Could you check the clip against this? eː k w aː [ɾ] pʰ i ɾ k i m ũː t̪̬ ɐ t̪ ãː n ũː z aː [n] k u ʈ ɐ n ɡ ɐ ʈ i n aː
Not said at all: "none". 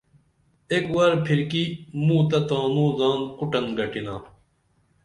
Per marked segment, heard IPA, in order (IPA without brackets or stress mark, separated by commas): ɾ, n